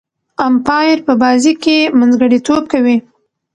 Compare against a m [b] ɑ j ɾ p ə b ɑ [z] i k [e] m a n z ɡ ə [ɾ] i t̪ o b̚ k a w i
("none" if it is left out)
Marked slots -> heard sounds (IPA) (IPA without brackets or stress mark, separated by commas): p, z, e, ɽ